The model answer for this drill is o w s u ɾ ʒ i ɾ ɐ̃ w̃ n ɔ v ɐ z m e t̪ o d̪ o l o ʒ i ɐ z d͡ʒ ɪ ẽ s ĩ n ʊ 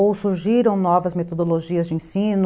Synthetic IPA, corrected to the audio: o w s u ɾ ʒ i ɾ ɐ̃ w̃ n ɔ v ɐ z m e t̪ o d̪ o l o ʒ i ɐ z d͡ʒ ɪ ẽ s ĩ n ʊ